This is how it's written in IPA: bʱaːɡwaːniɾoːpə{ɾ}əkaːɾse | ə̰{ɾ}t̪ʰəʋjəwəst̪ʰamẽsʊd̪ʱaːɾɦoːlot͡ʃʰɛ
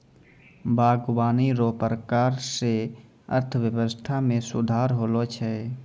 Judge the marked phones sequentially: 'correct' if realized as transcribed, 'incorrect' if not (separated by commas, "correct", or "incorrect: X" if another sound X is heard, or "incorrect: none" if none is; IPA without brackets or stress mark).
correct, correct